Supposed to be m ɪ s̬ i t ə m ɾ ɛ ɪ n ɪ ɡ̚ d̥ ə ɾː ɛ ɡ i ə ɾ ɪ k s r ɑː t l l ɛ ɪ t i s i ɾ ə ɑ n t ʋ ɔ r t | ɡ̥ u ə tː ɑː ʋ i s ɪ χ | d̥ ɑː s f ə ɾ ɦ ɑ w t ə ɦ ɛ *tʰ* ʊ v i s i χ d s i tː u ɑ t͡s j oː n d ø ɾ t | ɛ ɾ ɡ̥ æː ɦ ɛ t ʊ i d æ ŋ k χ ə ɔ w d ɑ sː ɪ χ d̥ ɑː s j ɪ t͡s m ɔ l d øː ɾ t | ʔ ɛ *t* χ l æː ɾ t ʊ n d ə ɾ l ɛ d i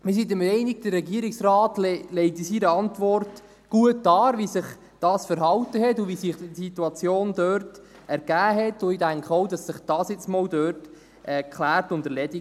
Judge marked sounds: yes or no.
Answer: no, no

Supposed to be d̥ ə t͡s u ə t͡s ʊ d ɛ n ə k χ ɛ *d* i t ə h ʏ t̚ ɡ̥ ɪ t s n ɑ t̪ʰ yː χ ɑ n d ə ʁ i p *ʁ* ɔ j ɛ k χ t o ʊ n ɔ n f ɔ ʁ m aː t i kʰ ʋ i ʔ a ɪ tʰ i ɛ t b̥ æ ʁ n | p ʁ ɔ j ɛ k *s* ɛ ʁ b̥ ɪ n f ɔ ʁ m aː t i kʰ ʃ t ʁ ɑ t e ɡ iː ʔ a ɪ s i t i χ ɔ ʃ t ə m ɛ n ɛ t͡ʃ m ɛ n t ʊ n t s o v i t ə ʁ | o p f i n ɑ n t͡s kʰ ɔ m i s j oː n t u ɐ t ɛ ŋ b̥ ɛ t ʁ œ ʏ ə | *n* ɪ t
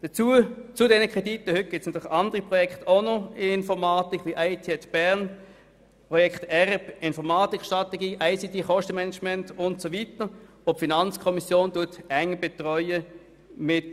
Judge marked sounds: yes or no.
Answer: yes, yes, no, no

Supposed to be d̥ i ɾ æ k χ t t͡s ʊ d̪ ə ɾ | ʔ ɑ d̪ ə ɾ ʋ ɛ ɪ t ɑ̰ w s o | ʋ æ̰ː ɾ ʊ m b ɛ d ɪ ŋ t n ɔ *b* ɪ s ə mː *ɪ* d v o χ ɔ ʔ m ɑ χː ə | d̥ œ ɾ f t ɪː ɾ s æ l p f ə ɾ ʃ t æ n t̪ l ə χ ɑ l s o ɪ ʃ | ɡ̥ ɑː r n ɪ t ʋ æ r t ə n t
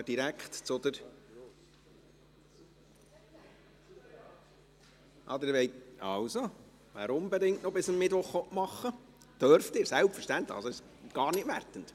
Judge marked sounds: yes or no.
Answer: yes, yes

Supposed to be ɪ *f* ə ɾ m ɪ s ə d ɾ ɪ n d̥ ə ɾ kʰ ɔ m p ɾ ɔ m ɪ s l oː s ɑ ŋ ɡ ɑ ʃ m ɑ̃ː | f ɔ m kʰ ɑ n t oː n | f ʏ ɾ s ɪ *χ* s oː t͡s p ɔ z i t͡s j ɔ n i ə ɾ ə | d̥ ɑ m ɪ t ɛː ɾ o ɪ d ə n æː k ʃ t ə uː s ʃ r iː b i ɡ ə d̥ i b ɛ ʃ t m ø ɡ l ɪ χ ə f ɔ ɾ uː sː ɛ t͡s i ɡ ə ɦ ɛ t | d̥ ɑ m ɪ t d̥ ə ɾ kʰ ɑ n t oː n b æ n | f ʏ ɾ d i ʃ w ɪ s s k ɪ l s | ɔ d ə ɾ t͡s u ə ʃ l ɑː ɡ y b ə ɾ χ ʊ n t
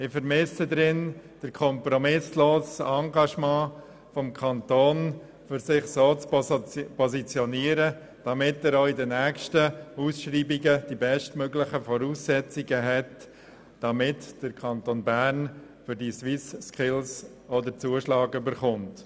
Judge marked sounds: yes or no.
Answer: yes, yes

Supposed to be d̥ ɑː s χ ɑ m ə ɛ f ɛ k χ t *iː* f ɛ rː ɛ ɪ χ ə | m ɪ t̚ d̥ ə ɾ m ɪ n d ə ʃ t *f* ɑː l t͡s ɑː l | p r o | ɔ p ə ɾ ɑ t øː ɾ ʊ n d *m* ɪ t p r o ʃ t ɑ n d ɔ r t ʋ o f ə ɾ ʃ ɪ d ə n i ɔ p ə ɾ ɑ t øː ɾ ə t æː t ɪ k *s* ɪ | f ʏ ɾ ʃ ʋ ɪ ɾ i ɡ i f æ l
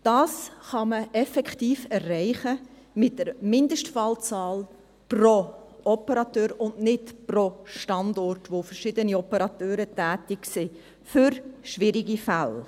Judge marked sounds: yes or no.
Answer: yes, yes, no, yes

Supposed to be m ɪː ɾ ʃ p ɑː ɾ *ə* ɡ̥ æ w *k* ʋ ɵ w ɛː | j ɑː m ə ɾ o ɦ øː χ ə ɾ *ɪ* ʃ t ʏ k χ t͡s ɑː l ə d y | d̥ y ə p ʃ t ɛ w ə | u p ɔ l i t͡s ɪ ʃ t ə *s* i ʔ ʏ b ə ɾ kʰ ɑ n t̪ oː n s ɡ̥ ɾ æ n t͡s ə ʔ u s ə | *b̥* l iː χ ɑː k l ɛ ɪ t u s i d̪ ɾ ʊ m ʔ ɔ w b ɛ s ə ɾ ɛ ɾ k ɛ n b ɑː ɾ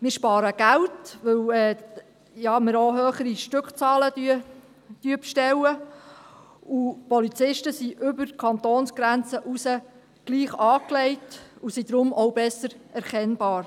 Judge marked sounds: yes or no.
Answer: yes, no, no, yes, no

